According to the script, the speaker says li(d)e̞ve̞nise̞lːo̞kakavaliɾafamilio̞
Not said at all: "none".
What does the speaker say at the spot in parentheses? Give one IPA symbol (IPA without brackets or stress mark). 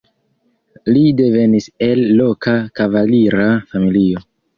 d